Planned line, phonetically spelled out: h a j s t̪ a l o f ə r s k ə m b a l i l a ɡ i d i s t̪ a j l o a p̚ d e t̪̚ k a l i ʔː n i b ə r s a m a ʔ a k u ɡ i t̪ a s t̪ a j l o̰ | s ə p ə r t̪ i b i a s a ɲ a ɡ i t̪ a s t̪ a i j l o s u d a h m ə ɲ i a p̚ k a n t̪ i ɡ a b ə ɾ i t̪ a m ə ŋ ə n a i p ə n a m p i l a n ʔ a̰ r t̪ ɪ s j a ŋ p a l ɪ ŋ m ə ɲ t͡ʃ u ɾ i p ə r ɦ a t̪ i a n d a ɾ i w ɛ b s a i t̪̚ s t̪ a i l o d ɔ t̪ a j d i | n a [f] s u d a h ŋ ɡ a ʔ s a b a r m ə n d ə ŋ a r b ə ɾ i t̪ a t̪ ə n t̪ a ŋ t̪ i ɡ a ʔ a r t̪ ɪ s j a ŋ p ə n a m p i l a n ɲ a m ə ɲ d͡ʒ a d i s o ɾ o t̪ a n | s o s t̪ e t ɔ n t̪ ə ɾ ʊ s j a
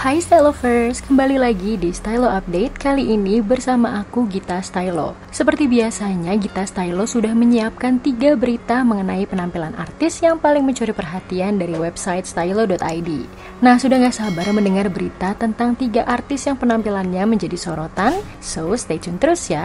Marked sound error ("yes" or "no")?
yes